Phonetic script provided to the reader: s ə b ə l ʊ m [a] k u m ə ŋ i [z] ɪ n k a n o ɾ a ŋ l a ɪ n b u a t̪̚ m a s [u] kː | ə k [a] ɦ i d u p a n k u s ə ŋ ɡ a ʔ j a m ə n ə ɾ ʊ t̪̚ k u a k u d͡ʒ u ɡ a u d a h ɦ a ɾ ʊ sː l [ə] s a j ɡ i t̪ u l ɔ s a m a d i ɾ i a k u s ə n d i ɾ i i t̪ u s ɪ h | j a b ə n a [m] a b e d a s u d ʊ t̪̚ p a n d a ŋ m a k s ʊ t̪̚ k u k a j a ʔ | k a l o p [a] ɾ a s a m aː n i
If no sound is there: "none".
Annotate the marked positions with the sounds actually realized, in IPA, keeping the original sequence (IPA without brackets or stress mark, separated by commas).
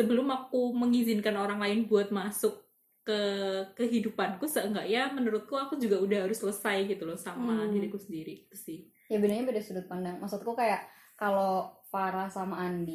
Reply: a, z, ʊ, ə, ə, ɲ, a